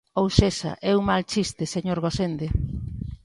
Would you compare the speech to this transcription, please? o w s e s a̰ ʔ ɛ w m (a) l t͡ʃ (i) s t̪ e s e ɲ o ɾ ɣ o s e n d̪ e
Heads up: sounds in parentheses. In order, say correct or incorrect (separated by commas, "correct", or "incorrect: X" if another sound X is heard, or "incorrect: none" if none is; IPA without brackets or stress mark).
correct, correct